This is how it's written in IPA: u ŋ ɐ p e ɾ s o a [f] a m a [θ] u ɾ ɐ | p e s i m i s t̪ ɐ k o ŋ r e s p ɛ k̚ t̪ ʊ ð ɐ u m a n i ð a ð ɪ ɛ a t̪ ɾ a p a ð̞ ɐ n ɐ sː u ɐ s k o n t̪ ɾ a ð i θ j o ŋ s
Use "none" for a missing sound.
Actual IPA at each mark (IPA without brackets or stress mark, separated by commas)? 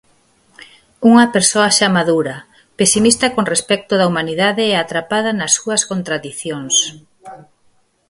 ʃ, ð